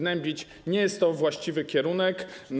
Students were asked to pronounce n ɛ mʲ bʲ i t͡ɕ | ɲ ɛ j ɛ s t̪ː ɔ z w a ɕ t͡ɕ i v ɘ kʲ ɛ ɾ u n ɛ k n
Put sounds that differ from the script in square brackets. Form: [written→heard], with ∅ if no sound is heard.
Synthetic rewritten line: n ɛ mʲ bʲ i t͡ɕ | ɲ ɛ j ɛ s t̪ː ɔ [z→v] w a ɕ t͡ɕ i v ɘ kʲ ɛ ɾ u n ɛ k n